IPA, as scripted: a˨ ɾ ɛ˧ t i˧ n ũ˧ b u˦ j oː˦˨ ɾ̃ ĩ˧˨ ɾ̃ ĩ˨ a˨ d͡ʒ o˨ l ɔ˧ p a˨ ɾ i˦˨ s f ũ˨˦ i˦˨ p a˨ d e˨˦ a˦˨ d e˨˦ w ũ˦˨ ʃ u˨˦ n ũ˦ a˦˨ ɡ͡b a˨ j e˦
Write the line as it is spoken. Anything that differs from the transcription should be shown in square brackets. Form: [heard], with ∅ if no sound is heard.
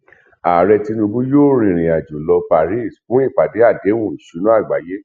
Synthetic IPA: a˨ ɾ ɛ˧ t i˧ n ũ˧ b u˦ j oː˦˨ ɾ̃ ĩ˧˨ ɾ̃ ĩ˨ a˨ d͡ʒ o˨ l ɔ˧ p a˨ ɾ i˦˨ s f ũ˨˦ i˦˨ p a˨ d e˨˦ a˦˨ d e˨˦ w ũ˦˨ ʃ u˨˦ n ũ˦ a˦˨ ɡ͡b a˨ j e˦